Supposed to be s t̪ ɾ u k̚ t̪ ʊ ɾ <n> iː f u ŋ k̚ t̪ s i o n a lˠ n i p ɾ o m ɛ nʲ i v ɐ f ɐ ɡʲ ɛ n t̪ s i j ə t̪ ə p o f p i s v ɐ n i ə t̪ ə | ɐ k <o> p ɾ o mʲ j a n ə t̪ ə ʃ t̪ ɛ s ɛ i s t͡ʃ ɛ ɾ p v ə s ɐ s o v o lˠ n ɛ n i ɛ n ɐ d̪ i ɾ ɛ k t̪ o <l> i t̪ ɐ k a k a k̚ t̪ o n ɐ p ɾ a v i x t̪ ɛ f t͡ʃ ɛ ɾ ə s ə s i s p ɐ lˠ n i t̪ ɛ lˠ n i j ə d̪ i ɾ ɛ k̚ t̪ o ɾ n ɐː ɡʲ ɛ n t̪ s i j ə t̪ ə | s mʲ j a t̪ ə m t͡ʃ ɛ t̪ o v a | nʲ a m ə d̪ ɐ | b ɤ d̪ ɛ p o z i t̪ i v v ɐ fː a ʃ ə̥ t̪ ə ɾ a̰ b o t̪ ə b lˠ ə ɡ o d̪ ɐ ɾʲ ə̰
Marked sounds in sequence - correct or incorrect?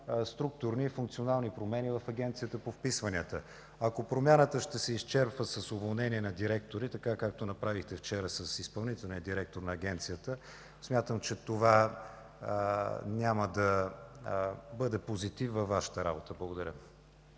correct, correct, incorrect

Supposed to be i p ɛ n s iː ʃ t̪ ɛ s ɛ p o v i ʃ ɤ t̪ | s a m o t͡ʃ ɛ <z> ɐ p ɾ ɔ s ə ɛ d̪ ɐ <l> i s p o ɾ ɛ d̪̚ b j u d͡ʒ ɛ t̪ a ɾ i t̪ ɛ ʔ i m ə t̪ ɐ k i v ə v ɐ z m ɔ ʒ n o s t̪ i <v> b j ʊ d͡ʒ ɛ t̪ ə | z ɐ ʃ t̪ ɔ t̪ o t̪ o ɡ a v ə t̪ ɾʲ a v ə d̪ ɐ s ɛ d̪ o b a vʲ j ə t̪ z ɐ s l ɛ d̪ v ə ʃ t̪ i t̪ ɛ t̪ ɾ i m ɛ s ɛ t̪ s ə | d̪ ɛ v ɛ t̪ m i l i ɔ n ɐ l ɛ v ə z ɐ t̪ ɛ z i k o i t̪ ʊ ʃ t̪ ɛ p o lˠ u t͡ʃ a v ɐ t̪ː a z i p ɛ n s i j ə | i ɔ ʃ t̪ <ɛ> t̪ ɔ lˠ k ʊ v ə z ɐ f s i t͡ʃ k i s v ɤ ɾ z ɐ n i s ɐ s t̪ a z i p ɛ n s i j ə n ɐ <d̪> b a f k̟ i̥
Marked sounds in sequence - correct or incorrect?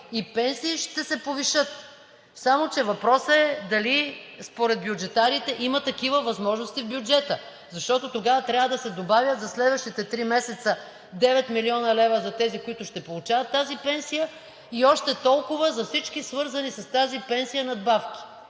incorrect, correct, correct, correct, correct

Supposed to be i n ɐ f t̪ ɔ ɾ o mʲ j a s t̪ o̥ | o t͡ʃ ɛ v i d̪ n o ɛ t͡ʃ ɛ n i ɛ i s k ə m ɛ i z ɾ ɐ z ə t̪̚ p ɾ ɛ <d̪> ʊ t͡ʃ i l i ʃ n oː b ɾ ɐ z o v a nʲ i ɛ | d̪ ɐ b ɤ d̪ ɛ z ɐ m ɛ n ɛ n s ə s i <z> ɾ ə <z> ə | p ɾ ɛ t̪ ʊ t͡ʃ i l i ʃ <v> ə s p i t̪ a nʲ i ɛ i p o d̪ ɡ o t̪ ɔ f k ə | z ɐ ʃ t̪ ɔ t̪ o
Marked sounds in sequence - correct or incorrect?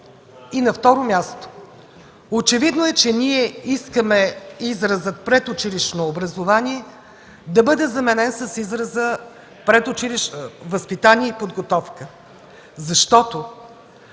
incorrect, correct, correct, correct

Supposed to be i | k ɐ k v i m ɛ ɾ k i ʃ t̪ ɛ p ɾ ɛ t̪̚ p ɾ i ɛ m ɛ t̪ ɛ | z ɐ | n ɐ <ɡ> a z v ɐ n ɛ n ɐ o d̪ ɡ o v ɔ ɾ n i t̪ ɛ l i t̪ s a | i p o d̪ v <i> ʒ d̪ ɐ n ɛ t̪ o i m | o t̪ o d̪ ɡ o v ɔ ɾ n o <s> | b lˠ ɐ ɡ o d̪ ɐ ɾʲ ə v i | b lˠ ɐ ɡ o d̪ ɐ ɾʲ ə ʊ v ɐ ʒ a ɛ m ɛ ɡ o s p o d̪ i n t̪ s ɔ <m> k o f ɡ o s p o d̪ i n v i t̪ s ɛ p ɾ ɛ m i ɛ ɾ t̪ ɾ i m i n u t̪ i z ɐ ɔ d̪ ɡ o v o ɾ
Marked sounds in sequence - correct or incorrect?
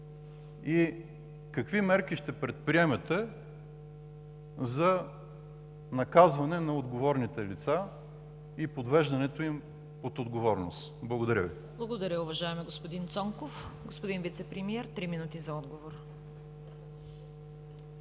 incorrect, incorrect, correct, incorrect

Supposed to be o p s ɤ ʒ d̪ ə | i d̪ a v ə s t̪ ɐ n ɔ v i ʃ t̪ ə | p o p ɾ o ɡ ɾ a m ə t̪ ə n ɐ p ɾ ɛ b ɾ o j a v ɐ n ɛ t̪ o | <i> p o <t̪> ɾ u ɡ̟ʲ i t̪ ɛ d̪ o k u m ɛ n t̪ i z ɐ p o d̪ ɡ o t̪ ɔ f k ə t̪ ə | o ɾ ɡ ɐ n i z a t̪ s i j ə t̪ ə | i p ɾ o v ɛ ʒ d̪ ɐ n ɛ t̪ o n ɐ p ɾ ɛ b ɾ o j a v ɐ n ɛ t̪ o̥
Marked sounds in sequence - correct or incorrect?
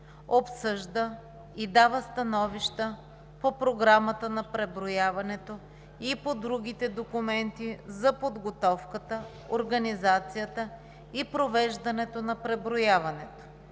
correct, incorrect

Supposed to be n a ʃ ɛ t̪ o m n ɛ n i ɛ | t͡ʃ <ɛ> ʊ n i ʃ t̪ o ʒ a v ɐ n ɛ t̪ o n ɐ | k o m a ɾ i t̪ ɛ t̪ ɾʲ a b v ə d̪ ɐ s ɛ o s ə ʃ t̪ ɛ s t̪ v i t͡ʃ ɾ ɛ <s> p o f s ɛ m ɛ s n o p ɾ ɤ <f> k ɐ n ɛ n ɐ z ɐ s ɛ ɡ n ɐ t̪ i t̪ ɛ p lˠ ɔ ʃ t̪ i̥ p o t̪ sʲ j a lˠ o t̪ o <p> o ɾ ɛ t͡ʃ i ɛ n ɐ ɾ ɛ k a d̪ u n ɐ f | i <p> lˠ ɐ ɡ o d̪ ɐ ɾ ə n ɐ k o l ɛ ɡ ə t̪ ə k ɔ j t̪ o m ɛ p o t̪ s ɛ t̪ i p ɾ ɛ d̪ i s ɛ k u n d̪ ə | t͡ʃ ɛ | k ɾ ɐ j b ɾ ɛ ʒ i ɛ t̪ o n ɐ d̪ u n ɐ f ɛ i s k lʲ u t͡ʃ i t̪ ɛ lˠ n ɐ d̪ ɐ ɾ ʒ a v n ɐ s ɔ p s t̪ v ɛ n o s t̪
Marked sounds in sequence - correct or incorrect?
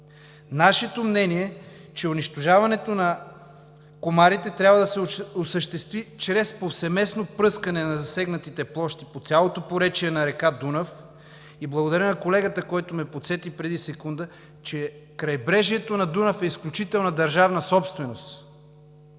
correct, correct, incorrect, correct, incorrect

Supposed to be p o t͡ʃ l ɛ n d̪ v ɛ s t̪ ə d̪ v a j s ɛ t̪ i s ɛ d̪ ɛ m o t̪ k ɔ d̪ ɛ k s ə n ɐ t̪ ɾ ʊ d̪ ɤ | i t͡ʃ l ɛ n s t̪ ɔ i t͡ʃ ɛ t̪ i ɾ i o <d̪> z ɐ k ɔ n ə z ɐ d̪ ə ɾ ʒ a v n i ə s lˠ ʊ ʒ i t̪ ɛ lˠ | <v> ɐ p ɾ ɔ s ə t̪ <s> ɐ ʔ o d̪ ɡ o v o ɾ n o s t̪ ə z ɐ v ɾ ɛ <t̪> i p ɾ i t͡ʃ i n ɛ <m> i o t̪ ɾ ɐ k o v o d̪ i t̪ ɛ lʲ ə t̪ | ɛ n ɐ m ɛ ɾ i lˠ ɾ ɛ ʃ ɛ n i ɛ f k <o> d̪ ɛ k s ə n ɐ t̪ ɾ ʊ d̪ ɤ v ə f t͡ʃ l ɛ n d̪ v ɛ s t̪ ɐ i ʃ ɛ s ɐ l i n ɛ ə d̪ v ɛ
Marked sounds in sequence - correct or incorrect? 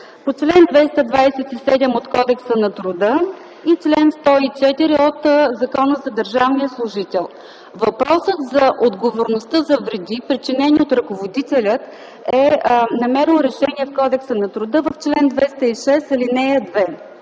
incorrect, correct, incorrect, incorrect, incorrect, incorrect

